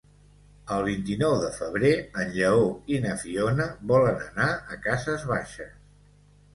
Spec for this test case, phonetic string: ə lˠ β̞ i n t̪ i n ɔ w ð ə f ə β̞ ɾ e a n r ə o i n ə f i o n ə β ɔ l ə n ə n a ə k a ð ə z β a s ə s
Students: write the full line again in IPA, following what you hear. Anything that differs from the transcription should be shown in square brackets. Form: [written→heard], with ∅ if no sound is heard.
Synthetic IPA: ə lˠ β̞ i n t̪ i n ɔ w ð ə f ə β̞ ɾ e [a→ə] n [r→ʎ] ə o i n ə f i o n ə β ɔ l ə n ə n a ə k a [ð→z] ə z β a [s→ʃ] ə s